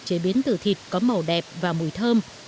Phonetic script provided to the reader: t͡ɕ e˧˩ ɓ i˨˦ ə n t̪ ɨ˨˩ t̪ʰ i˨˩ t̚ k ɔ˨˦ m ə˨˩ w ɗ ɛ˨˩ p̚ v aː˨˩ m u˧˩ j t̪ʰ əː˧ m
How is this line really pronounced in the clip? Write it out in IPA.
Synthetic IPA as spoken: t͡ɕ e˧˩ ɓ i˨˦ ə n t̪ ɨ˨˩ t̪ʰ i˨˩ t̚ k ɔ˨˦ m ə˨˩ w ɗ ɛ˨˩ p̚ v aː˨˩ m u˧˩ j t̪ʰ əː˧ m

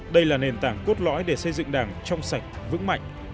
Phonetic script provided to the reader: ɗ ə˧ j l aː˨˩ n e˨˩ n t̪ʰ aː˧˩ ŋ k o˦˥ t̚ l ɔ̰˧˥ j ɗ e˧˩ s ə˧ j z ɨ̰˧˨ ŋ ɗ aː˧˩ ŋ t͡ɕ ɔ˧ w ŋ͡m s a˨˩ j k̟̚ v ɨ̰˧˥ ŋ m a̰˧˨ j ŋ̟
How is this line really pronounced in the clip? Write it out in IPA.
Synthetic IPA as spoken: ɗ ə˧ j l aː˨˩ n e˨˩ n t̪ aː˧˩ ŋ k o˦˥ t̚ l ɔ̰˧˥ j ɗ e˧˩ s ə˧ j z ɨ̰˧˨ ŋ ɗ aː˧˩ ŋ t͡ɕ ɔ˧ w ŋ͡m s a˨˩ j k̟̚ v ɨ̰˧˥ ŋ m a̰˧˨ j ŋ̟

